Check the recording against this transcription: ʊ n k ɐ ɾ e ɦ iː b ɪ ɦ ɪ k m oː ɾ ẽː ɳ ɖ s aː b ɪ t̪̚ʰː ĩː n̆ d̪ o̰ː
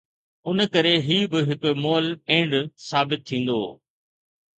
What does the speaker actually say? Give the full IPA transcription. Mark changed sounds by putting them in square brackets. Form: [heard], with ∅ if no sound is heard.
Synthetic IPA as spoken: ʊ n k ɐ ɾ e ɦ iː b ɪ ɦ ɪ k m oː [l] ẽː ɳ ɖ s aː b ɪ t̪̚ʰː ĩː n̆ d̪ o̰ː

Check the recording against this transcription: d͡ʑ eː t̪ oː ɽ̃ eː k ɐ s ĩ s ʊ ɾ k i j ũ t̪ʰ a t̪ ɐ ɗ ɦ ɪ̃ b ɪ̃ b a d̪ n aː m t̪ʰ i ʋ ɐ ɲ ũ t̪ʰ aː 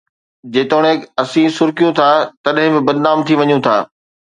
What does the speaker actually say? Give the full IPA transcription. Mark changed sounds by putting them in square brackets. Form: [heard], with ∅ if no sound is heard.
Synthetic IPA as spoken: d͡ʑ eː t̪ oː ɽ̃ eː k ɐ s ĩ s ʊ ɾ k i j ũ t̪ʰ a t̪ ɐ ɗ ɦ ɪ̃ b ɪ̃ b [ɐ] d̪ n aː m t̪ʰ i ʋ ɐ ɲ ũ t̪ʰ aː

